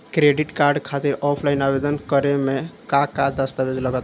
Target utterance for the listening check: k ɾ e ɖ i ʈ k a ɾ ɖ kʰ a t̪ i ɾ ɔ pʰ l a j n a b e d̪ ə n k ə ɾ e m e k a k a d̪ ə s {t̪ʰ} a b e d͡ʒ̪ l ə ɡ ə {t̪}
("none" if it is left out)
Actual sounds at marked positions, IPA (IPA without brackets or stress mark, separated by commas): t̪, t̪